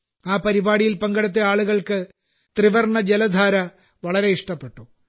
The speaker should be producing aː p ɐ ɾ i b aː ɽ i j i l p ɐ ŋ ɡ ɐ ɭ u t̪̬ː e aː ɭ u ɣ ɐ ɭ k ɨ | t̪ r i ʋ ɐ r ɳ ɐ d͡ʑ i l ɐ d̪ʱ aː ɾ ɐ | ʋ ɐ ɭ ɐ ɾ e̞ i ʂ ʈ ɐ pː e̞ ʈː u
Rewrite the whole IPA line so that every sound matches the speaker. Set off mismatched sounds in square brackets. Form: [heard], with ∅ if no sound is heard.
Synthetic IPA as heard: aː p ɐ ɾ i b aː ɽ i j i l p ɐ ŋ ɡ ɐ [ɽ] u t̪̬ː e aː ɭ u ɣ ɐ ɭ k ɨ | t̪ r i ʋ ɐ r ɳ ɐ d͡ʑ [e] l ɐ d̪ʱ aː ɾ ɐ | ʋ ɐ ɭ ɐ ɾ e̞ i ʂ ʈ ɐ pː e̞ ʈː u